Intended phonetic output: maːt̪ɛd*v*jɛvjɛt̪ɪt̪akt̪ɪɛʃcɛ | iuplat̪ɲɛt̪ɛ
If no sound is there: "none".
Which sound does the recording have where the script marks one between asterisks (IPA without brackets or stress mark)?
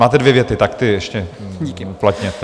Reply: v